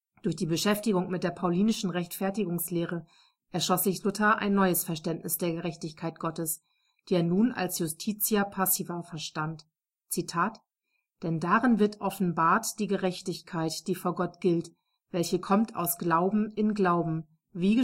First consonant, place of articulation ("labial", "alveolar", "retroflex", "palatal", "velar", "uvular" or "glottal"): alveolar